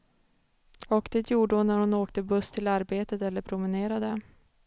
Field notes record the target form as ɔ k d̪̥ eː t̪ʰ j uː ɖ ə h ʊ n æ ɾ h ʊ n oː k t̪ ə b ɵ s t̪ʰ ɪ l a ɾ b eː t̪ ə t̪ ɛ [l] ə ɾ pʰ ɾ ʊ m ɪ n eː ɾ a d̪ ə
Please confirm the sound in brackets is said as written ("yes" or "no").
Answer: no